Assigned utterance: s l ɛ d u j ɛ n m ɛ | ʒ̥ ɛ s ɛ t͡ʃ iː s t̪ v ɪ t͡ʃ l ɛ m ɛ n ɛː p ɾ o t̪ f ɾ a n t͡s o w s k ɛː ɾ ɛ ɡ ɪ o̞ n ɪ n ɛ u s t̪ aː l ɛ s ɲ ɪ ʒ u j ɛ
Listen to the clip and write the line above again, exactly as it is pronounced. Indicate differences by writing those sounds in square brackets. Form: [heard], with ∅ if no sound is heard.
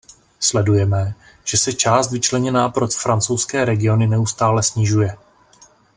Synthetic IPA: s l ɛ d u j ɛ [∅] m ɛ | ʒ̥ ɛ s ɛ t͡ʃ [aː] s t̪ v ɪ t͡ʃ l ɛ [ɲ] ɛ n [aː] p ɾ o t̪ f ɾ a n t͡s o w s k ɛː ɾ ɛ ɡ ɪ o̞ n ɪ n ɛ u s t̪ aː l ɛ s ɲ ɪ ʒ u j ɛ